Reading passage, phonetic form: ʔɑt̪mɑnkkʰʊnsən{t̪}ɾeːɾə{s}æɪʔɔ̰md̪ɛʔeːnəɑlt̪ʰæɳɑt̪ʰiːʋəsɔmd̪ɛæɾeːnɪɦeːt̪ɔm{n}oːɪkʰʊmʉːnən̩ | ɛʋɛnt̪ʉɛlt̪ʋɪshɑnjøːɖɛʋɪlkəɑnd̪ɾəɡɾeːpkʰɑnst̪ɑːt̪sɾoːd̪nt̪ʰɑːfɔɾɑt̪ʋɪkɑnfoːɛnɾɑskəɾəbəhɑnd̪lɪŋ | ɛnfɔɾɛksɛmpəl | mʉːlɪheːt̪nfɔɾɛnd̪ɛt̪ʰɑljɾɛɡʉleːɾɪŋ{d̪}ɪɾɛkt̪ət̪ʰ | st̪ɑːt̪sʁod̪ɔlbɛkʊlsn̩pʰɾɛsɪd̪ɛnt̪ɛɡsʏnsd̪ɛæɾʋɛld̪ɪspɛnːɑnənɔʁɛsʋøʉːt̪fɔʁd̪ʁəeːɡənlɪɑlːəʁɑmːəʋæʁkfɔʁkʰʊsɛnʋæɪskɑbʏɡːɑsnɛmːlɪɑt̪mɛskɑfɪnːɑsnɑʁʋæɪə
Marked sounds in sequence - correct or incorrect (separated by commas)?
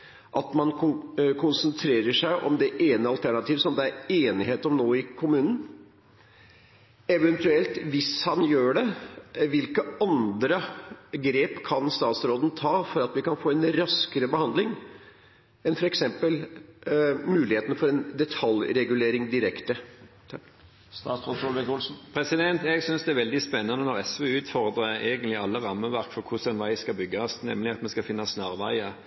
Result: incorrect, incorrect, correct, correct